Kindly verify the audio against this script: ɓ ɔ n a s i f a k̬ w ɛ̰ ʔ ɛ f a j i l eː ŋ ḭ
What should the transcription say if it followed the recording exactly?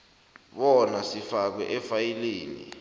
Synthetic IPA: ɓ ɔ n a s i f a k̬ w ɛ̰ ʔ ɛ f a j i l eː n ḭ